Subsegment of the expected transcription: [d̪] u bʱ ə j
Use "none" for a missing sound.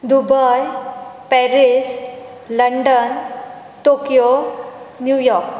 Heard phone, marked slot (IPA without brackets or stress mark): d̪